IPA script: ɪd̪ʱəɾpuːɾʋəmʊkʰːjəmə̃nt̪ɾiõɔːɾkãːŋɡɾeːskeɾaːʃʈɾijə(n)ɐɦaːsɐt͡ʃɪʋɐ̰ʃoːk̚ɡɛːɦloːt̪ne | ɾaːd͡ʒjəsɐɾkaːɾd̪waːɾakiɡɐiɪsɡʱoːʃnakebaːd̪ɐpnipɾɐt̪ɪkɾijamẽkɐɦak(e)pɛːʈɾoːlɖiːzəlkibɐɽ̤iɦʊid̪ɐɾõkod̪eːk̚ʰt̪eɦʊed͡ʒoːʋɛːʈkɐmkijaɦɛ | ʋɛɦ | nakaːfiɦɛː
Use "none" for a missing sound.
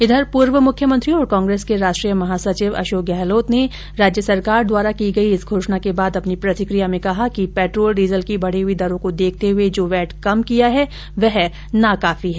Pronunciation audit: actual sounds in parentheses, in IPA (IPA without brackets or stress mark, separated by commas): m, i